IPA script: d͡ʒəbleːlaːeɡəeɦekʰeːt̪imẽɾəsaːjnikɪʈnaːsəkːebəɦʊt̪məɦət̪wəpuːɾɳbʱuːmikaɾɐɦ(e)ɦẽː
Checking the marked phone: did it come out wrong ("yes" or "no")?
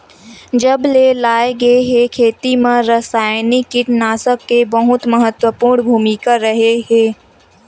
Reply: no